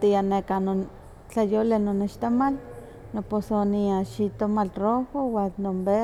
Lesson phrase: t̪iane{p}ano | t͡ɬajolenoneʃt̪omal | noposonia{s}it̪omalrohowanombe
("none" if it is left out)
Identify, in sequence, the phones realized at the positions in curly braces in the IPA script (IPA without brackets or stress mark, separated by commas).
k, ʃ